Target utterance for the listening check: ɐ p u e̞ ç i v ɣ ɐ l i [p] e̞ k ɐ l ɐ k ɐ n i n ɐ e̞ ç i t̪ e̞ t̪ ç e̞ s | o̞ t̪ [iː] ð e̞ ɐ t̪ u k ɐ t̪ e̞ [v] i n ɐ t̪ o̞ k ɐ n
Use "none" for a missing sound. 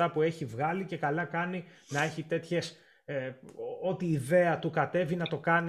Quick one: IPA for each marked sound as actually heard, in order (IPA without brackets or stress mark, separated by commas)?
c, iː, v